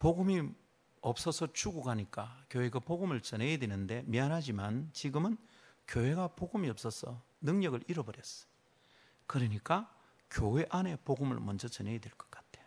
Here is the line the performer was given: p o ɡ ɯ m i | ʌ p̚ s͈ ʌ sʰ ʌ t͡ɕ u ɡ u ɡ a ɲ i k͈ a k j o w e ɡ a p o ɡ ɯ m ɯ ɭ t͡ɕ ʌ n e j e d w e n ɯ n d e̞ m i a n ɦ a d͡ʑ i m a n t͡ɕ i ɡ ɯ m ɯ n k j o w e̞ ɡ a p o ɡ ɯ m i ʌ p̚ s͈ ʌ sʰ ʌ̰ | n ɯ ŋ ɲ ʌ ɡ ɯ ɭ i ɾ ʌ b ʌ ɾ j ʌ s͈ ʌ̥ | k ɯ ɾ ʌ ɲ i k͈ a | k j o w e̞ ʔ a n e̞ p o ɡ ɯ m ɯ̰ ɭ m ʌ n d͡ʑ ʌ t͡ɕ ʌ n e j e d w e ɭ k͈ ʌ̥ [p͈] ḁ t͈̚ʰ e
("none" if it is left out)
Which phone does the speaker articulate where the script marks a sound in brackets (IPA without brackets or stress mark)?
k͈